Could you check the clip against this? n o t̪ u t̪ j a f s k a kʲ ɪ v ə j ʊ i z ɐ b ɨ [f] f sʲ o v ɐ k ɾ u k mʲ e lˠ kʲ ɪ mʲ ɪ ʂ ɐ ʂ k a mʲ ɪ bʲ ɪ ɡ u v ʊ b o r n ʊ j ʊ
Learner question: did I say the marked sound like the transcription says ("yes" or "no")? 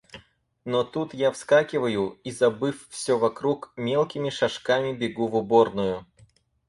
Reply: yes